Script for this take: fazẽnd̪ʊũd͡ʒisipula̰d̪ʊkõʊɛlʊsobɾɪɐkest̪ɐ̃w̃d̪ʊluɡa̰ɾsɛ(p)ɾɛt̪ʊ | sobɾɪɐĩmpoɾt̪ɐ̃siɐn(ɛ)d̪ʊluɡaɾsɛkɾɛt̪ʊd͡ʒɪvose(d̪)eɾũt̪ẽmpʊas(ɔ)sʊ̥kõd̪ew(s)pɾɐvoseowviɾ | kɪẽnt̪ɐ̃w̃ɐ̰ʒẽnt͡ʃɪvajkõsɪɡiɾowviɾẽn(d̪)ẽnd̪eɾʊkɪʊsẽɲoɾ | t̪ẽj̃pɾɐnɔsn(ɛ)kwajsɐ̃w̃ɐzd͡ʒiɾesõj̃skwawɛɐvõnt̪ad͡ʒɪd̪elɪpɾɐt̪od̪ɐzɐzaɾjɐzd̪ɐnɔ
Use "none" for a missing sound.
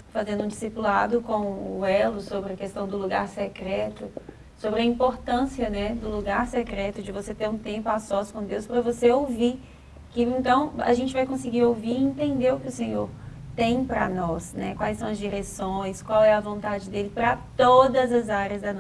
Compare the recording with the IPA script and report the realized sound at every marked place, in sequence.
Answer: k, ɛ, t̪, ɔ, s, t̪, ɛ

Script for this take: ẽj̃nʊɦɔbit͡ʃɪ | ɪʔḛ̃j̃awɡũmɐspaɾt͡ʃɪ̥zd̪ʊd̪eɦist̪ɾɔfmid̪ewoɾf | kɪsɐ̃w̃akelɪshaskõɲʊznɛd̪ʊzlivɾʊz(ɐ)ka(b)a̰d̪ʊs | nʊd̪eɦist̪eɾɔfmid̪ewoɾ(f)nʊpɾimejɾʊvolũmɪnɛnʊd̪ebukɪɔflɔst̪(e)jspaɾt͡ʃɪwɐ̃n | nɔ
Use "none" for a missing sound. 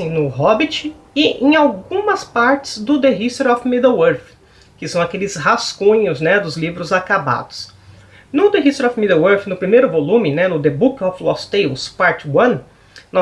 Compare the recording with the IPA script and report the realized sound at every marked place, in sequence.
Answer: a, b, f, e

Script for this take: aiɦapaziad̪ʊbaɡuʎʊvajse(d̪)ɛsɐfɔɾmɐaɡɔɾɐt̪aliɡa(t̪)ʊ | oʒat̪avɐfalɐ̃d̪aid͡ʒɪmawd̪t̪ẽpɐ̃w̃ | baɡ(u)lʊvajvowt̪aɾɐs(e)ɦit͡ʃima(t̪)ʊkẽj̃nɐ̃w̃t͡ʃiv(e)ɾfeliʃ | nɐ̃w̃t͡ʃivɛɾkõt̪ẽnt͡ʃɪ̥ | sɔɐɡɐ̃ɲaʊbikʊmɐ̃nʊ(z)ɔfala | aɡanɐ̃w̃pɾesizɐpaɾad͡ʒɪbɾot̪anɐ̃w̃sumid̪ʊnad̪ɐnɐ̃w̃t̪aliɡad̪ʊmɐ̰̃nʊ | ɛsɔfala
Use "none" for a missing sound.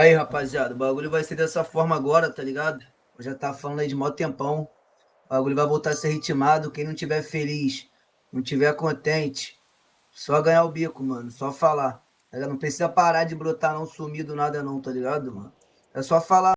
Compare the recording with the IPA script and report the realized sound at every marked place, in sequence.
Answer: d̪, d̪, u, e, d̪, ɛ, s

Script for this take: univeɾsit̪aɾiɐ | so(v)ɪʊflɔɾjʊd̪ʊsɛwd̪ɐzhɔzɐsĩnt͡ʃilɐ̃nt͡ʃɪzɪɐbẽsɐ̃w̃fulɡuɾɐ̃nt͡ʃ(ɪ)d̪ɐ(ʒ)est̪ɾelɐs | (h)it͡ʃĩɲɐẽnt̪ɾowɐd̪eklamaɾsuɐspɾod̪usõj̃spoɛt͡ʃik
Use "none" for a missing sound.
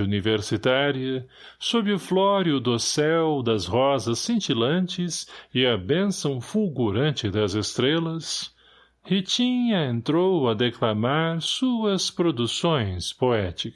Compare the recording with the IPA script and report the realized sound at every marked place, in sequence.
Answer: b, ɪ, z, h

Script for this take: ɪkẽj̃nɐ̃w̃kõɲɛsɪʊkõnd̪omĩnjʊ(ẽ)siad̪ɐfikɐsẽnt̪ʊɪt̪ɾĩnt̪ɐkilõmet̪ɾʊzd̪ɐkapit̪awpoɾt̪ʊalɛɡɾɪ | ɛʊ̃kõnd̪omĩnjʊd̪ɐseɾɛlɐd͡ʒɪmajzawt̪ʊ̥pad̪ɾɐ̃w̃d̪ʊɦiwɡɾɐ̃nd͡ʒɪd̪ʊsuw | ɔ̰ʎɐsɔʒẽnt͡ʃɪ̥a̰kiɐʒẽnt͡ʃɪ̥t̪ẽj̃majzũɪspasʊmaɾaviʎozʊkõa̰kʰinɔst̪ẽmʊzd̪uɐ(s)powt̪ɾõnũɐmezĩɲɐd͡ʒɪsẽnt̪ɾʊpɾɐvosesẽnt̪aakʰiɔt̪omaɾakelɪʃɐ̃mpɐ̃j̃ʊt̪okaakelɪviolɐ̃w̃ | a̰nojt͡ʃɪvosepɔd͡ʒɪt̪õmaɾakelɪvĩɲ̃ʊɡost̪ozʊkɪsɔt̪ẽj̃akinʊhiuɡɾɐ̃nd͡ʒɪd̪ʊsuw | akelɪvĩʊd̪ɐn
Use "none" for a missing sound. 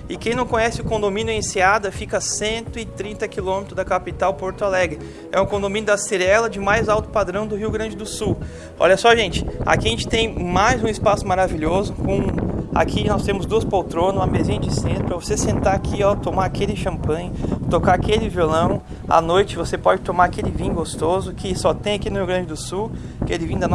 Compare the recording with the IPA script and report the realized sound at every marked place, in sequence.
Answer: ẽ, s

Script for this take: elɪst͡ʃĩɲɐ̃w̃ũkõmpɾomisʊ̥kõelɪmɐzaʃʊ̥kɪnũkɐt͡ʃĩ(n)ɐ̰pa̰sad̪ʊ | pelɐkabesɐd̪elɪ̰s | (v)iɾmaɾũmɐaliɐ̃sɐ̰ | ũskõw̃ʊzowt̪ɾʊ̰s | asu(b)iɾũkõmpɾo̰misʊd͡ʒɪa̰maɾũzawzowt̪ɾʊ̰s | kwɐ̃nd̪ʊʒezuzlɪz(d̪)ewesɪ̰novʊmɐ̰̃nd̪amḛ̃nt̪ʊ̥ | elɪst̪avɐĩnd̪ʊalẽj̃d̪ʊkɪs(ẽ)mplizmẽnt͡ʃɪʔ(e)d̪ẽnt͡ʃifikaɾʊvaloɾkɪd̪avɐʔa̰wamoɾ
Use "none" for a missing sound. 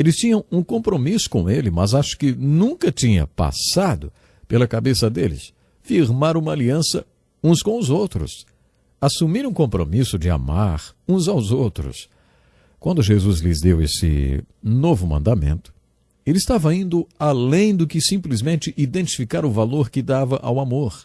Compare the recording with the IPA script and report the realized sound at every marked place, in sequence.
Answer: ɲ, f, m, d̪, ĩ, i

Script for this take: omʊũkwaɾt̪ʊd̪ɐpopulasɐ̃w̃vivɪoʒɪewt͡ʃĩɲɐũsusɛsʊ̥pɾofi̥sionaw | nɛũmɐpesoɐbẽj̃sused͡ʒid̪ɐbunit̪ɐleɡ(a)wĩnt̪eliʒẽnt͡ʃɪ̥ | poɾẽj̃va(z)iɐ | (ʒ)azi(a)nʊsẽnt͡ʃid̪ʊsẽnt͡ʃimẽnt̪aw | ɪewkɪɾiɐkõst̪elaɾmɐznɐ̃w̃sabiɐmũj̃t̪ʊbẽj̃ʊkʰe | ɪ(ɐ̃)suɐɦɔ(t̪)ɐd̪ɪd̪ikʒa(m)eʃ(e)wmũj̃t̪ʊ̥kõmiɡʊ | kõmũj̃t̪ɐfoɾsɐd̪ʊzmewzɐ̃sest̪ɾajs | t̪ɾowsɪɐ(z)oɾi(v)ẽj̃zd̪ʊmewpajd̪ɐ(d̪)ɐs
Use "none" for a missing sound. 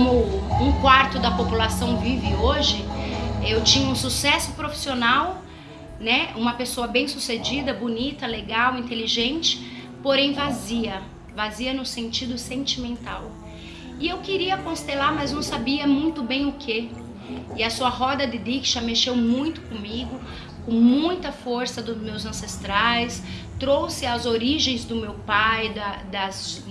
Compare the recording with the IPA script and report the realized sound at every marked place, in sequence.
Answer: a, z, v, ɐ, ɐ, d̪, m, e, z, ʒ, d̪

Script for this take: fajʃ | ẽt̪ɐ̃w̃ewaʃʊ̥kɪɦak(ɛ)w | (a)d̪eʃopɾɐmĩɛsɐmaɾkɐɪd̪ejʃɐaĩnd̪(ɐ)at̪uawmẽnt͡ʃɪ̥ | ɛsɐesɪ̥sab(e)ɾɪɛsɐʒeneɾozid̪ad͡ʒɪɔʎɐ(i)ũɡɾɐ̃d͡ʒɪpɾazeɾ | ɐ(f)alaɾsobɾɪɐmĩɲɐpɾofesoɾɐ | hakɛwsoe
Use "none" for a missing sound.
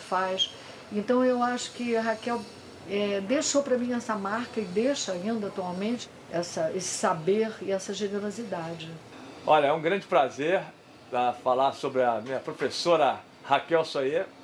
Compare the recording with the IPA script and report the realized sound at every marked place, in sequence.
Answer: ɛ, ɛ, ɐ, e, ɛ, f

